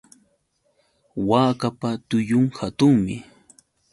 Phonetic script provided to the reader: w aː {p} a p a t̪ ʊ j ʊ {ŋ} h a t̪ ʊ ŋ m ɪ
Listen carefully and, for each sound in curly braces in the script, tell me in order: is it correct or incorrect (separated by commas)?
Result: incorrect, correct